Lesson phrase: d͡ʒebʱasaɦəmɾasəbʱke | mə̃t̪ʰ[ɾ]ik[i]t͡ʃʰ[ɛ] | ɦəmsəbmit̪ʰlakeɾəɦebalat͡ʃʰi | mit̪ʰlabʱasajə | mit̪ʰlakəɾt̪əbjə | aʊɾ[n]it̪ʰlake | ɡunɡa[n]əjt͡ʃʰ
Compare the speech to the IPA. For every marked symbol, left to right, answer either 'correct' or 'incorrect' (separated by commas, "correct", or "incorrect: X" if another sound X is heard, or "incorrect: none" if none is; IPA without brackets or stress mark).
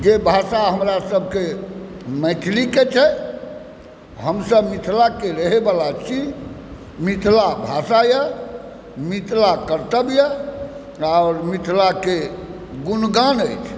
incorrect: l, incorrect: e, correct, incorrect: m, correct